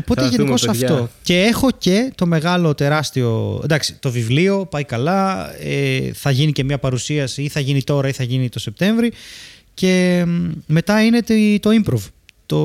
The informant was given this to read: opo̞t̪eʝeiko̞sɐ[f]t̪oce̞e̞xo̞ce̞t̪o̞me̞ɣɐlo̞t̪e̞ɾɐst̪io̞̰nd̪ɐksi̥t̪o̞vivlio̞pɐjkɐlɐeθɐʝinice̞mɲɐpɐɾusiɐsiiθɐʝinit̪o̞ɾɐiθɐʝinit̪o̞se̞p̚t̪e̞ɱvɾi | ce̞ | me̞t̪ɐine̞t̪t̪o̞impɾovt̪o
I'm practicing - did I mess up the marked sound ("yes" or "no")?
no